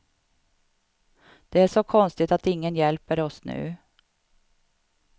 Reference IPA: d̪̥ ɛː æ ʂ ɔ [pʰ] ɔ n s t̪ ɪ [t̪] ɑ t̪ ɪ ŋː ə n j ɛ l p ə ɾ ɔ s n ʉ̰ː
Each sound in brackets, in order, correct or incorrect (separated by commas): incorrect, correct